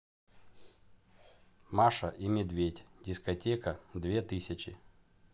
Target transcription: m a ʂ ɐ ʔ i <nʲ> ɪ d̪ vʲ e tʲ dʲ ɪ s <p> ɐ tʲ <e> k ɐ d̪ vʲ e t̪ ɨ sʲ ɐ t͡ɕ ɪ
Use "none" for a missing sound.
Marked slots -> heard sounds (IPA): mʲ, k, e

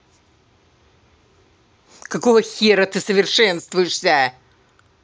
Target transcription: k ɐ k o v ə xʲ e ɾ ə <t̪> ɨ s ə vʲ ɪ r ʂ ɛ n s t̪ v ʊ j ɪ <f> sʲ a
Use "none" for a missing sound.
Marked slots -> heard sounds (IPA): t̪, ʂ

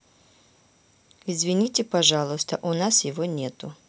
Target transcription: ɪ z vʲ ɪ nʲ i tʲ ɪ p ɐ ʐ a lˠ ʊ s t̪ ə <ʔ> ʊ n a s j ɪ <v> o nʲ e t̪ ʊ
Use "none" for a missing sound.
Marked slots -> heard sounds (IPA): ʔ, v

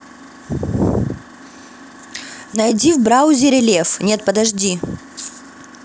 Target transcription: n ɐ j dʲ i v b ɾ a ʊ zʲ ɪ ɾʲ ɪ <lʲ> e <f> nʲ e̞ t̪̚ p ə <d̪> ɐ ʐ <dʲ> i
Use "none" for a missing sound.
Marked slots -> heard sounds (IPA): lʲ, f, d̪, dʲ

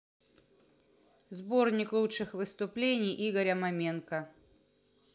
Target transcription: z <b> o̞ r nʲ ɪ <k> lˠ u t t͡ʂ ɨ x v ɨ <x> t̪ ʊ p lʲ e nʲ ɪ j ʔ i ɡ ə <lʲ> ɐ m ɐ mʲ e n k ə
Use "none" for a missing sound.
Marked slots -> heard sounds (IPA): b, k, s, ɾʲ

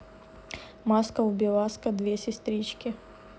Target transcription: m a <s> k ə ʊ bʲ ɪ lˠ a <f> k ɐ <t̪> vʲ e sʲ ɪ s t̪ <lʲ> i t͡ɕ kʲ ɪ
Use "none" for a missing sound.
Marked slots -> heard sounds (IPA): s, s, d̪, ɾʲ

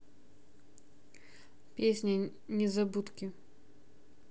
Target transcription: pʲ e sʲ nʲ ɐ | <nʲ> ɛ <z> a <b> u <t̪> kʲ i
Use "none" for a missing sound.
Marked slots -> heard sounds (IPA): nʲ, z, b, t̪

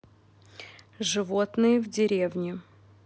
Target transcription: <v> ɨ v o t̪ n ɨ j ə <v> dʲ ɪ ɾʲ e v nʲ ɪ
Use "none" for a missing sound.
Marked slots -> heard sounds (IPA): ʐ, v

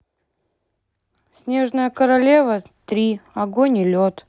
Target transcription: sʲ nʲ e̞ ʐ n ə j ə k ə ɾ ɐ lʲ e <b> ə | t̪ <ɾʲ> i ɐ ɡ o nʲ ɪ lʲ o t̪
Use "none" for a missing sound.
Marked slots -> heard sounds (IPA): v, ɾʲ

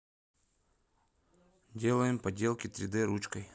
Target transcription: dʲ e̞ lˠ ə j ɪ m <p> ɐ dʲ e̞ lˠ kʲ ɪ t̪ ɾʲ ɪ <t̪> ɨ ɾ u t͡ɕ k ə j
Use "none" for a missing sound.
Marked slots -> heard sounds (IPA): p, d̪

